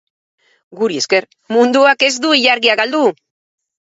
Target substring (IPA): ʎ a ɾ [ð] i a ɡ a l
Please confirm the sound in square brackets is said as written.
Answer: no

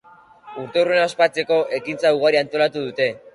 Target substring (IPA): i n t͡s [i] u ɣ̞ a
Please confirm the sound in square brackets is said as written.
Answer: no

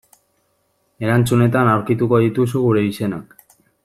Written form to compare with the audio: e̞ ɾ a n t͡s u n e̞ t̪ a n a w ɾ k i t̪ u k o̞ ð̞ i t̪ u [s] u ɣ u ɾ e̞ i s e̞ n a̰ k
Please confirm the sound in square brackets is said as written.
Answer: yes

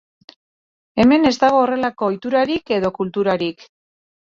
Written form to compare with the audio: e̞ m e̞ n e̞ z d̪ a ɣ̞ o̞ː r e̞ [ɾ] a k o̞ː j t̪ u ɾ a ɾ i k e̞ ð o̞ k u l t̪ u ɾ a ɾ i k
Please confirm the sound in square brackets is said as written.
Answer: no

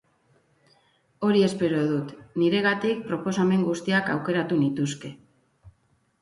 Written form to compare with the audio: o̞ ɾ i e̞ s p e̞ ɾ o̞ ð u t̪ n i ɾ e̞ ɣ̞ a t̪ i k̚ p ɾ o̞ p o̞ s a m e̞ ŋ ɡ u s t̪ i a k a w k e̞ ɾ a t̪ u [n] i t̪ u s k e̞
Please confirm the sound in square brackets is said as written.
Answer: yes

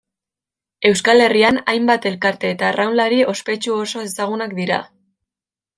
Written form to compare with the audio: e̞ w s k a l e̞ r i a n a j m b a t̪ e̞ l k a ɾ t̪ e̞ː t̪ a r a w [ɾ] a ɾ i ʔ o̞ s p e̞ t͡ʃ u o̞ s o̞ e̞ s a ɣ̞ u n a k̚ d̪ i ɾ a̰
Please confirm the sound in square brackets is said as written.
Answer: no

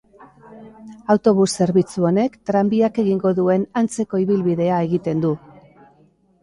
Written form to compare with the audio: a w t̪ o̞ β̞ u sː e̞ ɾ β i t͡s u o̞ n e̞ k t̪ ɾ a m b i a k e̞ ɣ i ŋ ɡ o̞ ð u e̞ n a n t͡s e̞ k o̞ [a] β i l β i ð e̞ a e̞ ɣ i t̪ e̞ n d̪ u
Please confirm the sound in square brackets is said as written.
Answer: no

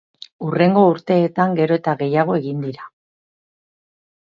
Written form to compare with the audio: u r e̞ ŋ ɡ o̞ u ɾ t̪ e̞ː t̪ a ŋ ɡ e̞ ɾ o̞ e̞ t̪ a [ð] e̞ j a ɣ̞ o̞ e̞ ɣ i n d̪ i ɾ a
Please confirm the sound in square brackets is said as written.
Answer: no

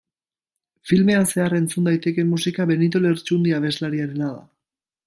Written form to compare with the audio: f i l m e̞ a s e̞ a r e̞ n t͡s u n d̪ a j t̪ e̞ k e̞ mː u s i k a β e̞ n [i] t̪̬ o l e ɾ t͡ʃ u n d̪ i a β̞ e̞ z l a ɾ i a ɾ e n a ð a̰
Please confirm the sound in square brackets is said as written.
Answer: yes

